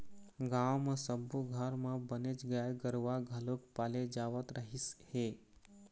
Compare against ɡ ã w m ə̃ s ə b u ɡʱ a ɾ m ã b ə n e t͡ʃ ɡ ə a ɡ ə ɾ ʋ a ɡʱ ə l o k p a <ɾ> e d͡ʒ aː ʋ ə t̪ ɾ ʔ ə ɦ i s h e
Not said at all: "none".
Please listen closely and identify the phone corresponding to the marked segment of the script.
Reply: l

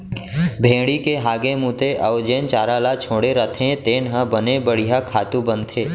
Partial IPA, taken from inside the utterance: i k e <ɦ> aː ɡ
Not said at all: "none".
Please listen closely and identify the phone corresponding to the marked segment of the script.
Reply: ɦ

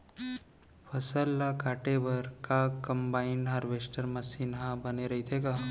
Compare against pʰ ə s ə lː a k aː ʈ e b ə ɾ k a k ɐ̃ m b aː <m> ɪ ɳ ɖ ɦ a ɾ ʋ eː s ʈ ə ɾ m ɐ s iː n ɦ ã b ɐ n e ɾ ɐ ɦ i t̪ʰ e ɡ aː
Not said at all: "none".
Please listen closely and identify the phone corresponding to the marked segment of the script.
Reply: none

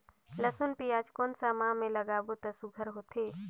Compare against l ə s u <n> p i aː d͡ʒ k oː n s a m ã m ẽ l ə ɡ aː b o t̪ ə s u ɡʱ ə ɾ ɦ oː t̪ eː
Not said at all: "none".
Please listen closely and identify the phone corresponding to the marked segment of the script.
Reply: n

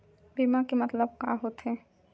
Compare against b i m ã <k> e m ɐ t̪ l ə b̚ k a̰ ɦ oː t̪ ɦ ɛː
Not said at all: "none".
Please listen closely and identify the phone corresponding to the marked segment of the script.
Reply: k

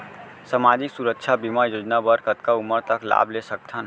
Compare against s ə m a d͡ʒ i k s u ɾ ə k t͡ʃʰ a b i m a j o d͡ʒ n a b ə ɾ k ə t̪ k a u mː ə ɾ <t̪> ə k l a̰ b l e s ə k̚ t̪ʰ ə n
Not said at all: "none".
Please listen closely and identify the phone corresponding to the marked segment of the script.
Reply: t̪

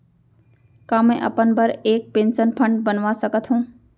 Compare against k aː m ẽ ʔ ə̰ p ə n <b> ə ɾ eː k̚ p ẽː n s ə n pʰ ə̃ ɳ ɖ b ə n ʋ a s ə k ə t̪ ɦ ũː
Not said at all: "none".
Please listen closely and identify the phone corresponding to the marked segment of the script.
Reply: b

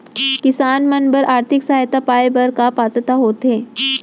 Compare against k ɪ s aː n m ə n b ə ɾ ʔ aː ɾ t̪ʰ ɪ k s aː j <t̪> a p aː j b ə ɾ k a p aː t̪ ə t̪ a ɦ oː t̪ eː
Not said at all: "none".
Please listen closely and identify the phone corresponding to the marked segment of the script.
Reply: t̪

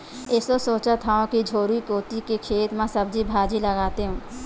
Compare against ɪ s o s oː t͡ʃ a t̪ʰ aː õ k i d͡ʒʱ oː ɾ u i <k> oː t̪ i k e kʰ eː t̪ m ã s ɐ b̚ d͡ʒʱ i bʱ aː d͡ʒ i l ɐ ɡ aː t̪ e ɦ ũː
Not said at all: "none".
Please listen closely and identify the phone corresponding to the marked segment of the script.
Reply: k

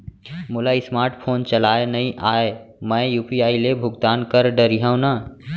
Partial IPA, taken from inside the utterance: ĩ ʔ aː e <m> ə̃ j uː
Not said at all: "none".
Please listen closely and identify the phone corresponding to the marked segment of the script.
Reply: m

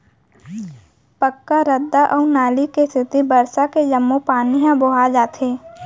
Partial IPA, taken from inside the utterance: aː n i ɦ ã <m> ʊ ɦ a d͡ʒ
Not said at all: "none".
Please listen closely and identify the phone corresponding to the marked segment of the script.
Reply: b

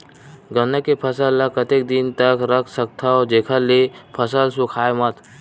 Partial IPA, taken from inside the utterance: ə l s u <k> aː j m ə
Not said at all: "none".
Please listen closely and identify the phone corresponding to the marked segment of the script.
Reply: kʰ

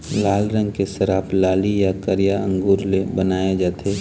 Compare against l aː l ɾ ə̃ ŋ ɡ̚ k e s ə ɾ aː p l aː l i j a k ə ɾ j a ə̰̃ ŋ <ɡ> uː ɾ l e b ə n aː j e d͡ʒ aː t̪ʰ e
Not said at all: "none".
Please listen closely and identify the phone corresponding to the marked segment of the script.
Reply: ɡ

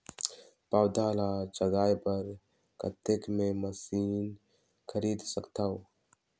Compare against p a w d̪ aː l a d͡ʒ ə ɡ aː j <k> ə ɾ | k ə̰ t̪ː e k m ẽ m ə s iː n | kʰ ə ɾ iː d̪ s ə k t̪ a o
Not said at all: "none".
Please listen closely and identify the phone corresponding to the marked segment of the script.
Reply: p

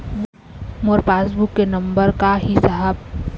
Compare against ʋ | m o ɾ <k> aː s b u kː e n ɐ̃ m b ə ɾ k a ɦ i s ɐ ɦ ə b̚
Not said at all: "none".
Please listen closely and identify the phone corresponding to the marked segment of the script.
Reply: p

